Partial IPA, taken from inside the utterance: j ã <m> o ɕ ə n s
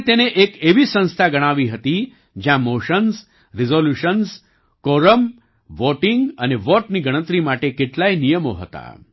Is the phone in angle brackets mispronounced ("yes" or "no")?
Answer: no